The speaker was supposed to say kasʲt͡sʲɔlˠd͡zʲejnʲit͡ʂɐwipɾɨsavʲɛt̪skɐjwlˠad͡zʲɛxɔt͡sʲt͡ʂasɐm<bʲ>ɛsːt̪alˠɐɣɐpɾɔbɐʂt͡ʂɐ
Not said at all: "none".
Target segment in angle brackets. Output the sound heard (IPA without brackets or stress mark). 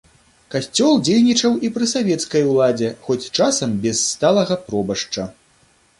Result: bʲ